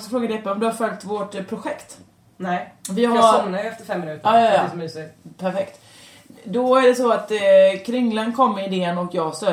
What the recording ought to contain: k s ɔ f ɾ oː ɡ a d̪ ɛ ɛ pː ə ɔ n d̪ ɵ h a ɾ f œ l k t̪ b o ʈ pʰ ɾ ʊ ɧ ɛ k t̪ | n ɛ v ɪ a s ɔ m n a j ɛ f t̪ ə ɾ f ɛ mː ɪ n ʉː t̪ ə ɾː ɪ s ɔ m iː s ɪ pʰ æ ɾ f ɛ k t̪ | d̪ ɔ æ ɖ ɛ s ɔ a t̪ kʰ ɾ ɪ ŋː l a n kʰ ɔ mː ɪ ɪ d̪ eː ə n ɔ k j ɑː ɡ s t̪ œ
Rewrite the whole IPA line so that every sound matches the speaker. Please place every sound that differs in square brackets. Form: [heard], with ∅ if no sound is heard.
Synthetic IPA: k s ɔ f ɾ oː ɡ a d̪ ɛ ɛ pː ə ɔ [m] d̪ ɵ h a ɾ f œ l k t̪ [v] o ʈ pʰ ɾ ʊ ɧ ɛ k t̪ | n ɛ v ɪ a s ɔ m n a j ɛ f t̪ ə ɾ f ɛ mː ɪ n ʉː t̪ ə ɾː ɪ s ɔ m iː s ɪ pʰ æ ɾ f ɛ k t̪ | d̪ ɔ æ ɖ ɛ s ɔ a t̪ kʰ ɾ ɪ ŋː l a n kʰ ɔ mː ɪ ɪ d̪ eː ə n ɔ k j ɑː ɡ s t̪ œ